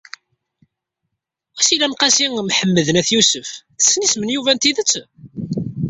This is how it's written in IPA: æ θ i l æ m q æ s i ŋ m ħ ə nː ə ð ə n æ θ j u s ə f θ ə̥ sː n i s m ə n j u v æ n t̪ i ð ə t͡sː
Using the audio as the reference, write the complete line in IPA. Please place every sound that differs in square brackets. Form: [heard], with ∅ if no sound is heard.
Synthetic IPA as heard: æ [s] i l æ m q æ s i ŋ m ħ ə [mː] ə ð ə n æ θ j u s ə f θ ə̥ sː n i s m ə n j u v æ n t̪ i ð ə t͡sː

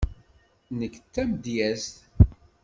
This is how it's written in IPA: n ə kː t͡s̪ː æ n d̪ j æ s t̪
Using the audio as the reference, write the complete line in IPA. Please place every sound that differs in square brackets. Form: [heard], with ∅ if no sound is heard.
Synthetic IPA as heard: n ə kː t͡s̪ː æ [m] d̪ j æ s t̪

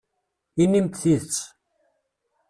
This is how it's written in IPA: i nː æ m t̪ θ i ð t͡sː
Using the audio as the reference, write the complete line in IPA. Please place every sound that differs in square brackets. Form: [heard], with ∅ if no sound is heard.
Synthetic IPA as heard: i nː [i] m t̪ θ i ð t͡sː

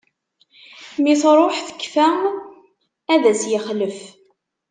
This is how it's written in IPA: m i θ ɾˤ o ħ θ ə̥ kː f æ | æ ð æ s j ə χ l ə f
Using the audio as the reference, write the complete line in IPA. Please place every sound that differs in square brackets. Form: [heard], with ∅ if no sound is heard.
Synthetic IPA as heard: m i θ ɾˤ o ħ θ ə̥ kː f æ | æ ð æ s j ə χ l ə f

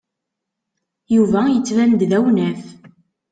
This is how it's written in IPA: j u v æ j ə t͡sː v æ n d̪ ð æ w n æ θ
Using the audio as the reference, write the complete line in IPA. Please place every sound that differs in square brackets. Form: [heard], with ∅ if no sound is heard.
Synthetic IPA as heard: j u v æ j ə t͡sː v æ n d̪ ð æ w n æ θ

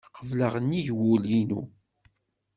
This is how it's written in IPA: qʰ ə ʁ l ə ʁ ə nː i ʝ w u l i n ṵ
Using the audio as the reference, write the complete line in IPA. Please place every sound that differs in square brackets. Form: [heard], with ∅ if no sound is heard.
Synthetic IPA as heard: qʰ ə [v] l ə ʁ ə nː i ʝ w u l i n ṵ

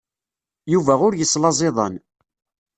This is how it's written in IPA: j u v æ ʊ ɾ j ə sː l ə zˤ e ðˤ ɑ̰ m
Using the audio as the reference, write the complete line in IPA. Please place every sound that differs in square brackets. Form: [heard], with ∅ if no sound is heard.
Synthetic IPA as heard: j u v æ ʊ ɾ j ə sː l [ɑ] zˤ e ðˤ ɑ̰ [n]

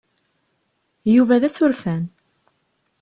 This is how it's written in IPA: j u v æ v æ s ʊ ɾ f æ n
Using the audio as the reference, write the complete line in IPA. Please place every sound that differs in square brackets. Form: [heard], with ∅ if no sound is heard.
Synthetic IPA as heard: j u v æ [ð] æ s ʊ ɾ f æ n

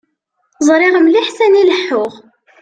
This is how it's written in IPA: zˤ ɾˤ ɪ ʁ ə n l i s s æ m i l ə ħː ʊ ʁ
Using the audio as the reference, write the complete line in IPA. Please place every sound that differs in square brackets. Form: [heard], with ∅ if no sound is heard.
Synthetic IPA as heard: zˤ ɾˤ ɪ ʁ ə [m] l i [ħ] s æ [n] i l ə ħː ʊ ʁ

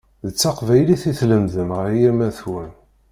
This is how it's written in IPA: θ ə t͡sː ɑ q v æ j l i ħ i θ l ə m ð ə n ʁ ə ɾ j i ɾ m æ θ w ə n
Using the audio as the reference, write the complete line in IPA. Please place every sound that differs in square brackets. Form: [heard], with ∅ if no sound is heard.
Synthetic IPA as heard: [ð] ə t͡sː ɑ q v æ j l i [θ] i θ l ə m ð ə [m] ʁ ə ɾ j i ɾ m æ θ w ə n

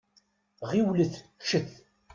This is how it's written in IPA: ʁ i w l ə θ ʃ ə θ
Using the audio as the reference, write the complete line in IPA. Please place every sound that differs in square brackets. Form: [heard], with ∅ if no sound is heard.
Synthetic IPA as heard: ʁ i w l ə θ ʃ ə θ

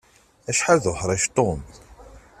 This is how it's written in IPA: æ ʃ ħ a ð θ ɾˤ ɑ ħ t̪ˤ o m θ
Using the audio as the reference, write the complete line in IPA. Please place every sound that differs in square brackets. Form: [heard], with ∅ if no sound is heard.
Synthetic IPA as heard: æ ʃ ħ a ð [ħ] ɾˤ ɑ [ʃ] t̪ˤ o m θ

